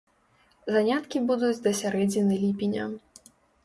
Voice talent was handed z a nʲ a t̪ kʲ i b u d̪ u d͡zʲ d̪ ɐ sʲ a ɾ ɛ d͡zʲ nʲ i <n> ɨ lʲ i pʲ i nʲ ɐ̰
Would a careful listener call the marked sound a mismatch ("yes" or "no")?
no